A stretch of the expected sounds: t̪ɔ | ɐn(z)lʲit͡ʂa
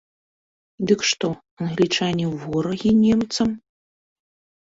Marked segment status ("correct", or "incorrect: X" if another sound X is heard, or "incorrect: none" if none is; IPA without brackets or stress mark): incorrect: ɣ